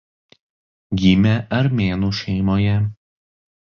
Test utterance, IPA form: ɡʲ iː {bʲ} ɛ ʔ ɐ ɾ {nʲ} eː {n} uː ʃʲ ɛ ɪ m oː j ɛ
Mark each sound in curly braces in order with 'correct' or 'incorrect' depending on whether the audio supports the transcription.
incorrect: mʲ, incorrect: mʲ, correct

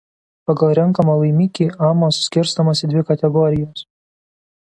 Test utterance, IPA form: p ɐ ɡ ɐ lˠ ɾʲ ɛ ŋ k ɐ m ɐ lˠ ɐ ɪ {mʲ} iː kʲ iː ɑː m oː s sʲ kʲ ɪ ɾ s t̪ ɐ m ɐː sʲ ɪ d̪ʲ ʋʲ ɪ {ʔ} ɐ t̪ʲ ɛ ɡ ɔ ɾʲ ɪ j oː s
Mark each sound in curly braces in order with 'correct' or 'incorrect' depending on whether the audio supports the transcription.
correct, incorrect: k

